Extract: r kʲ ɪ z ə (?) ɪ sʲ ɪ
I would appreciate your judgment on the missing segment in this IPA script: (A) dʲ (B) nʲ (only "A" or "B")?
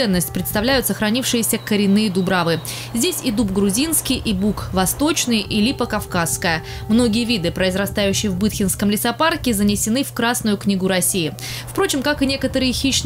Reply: B